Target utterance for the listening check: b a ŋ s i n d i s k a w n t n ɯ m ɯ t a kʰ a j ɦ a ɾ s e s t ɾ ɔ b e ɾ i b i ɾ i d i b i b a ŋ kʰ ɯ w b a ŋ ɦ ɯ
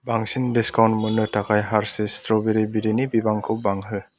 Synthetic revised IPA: b a ŋ s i n d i s k a w n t m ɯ n ɯ t a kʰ a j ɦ a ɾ s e s t ɾ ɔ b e ɾ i b i ɾ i n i b i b a ŋ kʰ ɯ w b a ŋ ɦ ɯ